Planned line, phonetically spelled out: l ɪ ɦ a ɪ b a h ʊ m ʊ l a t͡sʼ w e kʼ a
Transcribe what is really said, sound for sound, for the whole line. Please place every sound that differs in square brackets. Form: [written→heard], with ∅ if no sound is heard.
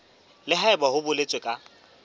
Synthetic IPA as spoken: l ɪ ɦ a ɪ b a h ʊ [m→b] ʊ l [a→e] t͡sʼ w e kʼ a